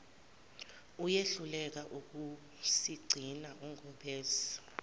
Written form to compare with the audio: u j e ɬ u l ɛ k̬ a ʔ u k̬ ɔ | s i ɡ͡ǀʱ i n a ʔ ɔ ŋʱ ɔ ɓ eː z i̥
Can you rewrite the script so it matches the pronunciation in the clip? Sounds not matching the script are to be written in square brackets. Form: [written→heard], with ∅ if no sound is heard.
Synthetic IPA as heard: u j e ɬ u l ɛ k̬ a ʔ u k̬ [ɔ→u] | s i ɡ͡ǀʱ i n a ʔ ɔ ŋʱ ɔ ɓ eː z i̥

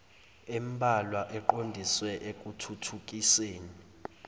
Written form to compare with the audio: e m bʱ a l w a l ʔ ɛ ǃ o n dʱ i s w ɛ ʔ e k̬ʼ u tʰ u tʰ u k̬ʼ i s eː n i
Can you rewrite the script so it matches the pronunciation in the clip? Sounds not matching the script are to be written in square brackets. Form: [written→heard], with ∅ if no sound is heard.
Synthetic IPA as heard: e m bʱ a l w a [l→∅] ʔ ɛ ǃ o n dʱ i s w ɛ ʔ e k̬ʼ u tʰ u tʰ u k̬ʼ i s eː n i

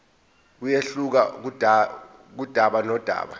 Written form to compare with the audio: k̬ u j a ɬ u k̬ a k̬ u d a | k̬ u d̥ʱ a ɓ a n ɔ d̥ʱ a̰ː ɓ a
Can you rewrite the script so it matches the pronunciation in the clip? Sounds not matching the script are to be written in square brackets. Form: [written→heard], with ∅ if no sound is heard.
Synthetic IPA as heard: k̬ u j [a→e] ɬ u k̬ a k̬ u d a | k̬ u d̥ʱ a ɓ a n ɔ d̥ʱ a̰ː ɓ a

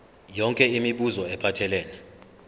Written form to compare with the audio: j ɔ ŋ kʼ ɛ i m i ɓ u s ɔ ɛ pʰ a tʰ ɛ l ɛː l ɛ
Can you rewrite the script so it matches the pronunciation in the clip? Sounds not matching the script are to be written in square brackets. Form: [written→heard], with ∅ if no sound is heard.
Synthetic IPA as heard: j ɔ ŋ kʼ ɛ i m i ɓ u [s→z] ɔ ɛ pʰ a tʰ ɛ l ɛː l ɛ

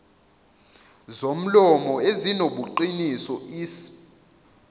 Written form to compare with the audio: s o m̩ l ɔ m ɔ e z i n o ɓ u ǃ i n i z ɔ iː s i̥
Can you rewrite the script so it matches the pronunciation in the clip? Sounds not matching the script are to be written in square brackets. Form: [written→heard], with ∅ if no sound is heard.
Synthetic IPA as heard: [s→z] o m̩ l ɔ m ɔ e z i n o ɓ u ǃ i n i [z→s] ɔ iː s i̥

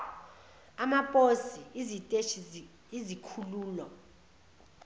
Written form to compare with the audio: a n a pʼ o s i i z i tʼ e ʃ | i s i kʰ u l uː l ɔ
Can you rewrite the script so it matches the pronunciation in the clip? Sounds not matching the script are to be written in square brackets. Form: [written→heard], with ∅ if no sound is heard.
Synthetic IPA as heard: a [n→m] a pʼ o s i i z i tʼ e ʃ | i [s→z] i kʰ u l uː l ɔ

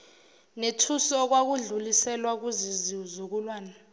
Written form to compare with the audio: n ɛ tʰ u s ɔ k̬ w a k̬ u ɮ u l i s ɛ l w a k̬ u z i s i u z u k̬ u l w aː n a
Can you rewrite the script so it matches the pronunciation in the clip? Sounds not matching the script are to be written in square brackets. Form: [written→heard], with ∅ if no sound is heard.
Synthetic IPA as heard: n [ɛ→e] tʰ u s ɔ k̬ w a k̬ u ɮ u l i s ɛ l w a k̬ u z i [s→z] i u z u k̬ u l w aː n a

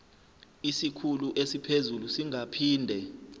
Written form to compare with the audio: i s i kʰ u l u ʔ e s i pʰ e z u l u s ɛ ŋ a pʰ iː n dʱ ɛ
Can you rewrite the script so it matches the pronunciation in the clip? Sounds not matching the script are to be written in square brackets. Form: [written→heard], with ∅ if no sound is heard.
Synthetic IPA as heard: i s i kʰ u l u ʔ e s i pʰ e z u l u s [ɛ→i] ŋ a pʰ iː n dʱ ɛ

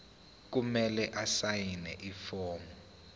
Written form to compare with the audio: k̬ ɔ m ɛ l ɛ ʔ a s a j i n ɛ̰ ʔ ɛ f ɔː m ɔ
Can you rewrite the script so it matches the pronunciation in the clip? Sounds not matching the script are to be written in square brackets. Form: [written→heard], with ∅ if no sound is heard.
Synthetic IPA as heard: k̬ [ɔ→u] m ɛ l ɛ ʔ a s a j i n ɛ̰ ʔ [ɛ→i] f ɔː m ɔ

